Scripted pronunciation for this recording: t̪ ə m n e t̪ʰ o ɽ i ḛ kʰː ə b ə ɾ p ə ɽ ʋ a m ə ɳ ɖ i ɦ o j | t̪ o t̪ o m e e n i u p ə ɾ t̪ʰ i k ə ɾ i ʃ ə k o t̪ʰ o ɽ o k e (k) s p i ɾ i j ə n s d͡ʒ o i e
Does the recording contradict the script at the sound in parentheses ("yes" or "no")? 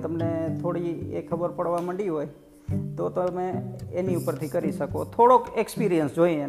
no